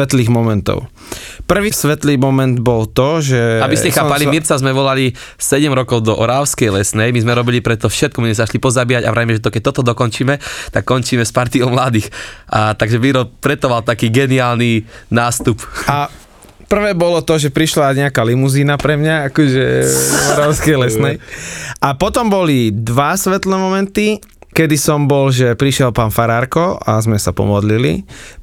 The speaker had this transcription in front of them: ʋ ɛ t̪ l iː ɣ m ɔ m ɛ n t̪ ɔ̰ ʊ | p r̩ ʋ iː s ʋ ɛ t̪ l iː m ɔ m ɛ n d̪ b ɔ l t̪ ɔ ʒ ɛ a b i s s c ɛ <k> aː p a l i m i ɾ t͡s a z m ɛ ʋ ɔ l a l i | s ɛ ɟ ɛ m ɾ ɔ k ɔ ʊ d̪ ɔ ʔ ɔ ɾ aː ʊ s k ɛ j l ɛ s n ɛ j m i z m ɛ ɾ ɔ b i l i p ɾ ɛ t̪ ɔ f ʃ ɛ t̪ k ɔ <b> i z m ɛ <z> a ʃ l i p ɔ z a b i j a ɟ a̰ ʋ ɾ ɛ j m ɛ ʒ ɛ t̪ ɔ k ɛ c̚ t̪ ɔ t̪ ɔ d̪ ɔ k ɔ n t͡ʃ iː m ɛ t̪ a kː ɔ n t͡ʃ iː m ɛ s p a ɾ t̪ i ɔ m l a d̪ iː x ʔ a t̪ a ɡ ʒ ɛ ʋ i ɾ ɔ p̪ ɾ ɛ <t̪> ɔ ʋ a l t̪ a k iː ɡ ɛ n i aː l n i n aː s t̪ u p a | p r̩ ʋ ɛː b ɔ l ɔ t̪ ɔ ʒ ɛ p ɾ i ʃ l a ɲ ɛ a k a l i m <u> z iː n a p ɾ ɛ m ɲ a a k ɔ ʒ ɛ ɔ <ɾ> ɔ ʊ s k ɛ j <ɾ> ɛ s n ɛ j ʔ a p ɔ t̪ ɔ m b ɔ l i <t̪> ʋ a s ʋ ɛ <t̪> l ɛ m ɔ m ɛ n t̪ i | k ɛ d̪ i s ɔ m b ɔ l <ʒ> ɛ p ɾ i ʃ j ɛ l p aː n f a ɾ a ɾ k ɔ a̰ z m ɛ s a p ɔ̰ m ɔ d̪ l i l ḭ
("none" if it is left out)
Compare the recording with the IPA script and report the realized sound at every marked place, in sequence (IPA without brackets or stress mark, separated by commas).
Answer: x, m, z, t̪, u, ɾ, l, d̪, t̪, ʒ